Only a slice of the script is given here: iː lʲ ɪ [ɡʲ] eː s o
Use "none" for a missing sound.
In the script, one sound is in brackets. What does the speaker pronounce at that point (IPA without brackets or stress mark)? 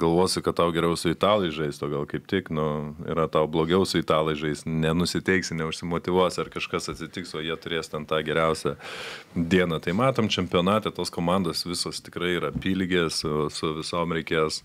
ɡʲ